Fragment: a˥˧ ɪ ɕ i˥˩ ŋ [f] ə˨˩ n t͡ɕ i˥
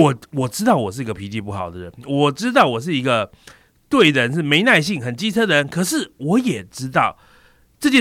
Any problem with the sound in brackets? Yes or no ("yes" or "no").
yes